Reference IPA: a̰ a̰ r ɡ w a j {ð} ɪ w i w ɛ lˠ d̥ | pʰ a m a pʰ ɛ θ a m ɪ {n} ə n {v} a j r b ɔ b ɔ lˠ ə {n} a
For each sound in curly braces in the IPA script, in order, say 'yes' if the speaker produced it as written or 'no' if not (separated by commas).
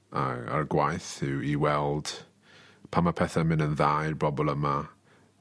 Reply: no, yes, no, no